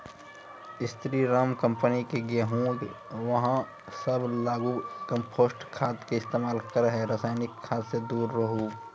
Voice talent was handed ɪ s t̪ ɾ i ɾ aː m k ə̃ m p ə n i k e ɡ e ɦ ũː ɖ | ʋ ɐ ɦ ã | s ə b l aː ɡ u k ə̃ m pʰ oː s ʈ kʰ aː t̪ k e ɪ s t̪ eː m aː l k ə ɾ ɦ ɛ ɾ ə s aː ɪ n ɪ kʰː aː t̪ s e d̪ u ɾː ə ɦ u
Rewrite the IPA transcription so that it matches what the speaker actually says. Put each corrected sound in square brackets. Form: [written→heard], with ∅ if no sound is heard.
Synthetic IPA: ɪ s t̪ ɾ i ɾ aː m k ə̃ m p ə n i k e ɡ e ɦ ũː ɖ | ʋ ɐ ɦ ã | s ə b l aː ɡ u k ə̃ m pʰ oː s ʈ kʰ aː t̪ k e ɪ s t̪ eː m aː l k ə ɾ ɦ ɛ ɾ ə s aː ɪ n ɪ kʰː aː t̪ s e d̪ [u→uː] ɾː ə ɦ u